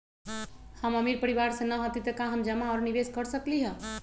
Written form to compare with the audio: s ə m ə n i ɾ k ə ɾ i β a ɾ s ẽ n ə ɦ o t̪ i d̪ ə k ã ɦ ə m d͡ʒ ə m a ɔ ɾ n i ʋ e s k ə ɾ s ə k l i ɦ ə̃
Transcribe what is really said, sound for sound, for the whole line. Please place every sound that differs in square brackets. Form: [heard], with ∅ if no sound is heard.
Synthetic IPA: [h] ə m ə [m] i ɾ [p] ə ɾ i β a ɾ s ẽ n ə ɦ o t̪ i [t̪] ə k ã ɦ ə m d͡ʒ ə m a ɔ ɾ n i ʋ e s k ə ɾ s ə k l i ɦ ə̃